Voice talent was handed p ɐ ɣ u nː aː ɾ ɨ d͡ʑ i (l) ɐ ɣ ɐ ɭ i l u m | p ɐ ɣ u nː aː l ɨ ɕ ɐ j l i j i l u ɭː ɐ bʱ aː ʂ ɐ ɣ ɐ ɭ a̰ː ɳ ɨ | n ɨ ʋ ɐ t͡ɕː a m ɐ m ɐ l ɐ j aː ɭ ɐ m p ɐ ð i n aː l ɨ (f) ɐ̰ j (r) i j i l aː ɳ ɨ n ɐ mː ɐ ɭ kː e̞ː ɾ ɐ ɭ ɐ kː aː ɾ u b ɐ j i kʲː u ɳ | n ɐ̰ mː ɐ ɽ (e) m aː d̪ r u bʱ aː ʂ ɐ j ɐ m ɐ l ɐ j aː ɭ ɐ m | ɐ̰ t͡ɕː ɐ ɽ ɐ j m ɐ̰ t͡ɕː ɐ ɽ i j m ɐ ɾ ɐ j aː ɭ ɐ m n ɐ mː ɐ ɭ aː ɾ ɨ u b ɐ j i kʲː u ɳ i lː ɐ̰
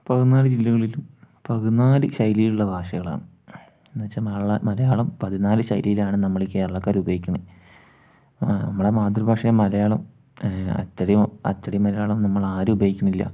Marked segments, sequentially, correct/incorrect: incorrect: lː, incorrect: ɕ, incorrect: l, correct

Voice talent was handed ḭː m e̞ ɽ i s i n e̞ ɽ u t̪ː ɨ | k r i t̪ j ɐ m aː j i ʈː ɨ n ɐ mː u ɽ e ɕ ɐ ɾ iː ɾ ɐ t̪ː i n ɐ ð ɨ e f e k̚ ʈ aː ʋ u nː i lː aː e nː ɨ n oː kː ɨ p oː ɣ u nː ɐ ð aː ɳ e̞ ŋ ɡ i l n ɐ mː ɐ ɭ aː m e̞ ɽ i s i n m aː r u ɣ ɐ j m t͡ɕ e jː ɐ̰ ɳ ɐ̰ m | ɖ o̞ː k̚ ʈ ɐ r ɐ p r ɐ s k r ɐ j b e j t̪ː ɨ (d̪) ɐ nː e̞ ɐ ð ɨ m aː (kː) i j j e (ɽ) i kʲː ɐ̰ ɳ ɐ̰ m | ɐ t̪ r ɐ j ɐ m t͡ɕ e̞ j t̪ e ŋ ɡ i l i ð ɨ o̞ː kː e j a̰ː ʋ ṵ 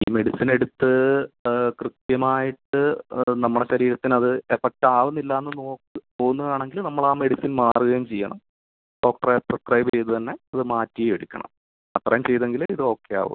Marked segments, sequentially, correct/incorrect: incorrect: t̪, incorrect: tː, correct

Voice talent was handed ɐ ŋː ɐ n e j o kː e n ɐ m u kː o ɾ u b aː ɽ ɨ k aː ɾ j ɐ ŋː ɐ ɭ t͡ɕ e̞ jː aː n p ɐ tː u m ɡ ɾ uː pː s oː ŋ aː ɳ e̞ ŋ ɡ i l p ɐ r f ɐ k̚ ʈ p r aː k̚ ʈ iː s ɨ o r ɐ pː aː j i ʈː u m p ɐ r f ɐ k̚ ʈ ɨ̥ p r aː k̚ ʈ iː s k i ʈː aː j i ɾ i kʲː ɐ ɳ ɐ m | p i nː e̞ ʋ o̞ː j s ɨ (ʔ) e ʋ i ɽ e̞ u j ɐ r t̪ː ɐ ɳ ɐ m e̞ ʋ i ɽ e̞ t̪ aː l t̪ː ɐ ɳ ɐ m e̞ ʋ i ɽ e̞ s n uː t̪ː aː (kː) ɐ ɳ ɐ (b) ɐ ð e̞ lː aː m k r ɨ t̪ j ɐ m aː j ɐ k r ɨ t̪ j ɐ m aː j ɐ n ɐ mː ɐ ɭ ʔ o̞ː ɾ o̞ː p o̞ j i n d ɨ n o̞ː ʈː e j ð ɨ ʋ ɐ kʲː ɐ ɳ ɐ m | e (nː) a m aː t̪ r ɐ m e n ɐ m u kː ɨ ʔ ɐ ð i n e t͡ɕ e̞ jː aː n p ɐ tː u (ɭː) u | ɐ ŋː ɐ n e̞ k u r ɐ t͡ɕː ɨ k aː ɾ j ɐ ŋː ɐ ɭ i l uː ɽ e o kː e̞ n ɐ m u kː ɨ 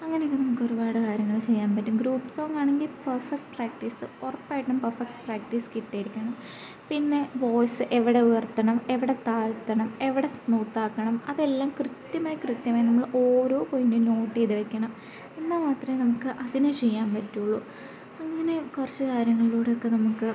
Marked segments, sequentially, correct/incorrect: correct, correct, incorrect: m, correct, correct

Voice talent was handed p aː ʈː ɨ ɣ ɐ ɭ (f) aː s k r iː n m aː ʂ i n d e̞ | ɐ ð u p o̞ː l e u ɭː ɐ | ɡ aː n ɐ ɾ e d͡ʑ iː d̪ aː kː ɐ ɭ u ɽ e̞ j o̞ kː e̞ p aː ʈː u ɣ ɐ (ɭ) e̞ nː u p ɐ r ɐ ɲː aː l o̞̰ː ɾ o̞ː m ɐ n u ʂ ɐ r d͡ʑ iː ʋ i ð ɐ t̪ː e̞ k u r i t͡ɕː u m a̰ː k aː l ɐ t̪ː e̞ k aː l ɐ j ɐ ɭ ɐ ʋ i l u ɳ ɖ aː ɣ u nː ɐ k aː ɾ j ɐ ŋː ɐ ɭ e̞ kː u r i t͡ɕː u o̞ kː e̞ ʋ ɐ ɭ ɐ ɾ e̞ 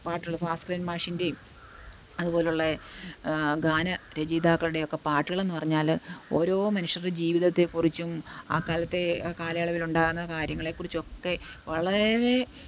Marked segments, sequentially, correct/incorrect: correct, correct

